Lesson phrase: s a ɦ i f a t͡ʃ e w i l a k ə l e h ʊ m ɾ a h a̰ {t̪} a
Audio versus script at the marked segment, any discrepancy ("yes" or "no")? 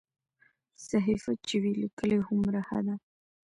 yes